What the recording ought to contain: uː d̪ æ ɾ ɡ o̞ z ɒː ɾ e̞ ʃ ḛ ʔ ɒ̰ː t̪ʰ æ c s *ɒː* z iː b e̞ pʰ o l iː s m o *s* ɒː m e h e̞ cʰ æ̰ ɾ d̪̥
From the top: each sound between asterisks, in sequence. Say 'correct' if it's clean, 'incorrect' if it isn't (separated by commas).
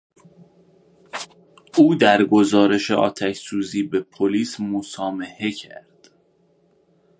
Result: incorrect, correct